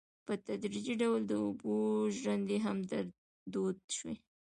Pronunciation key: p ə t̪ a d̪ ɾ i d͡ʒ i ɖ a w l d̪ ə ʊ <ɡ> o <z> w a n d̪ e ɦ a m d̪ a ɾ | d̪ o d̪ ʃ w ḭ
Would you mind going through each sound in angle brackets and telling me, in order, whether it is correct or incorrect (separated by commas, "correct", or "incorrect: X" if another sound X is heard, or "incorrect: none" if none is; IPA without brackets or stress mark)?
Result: incorrect: b, incorrect: ʒ